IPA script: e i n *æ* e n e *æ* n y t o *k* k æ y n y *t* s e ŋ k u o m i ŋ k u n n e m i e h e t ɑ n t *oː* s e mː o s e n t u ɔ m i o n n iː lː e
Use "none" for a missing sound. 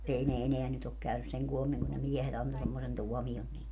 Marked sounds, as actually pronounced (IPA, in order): e, æ, k, s, o

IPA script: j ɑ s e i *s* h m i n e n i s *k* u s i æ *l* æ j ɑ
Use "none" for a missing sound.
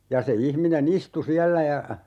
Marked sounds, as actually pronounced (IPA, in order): none, t, lː

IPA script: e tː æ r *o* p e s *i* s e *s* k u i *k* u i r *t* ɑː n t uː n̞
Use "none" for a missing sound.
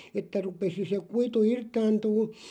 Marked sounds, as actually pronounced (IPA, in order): u, i, none, t, t

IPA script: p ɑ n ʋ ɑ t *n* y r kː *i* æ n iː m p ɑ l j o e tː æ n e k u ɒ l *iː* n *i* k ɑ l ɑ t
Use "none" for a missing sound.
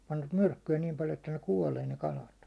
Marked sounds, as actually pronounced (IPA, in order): m, y, eː, e

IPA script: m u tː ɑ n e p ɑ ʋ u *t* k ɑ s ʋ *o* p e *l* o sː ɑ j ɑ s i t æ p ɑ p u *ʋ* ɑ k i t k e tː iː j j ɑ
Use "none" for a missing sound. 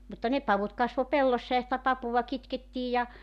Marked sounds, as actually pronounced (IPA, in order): t, o, lː, ʋ

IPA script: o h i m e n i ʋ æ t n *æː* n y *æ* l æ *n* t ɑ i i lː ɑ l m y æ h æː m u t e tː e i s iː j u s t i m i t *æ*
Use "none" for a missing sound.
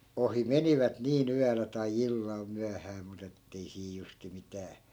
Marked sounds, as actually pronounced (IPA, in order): iː, æ, none, æː

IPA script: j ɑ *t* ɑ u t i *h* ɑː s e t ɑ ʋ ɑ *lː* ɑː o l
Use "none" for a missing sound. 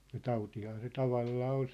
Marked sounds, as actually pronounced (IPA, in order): t, h, lː

